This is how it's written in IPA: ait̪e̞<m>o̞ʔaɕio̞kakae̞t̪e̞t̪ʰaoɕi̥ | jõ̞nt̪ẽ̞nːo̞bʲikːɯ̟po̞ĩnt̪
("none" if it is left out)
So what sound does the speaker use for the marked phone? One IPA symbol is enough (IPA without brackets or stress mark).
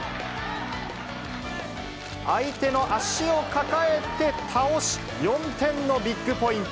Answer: n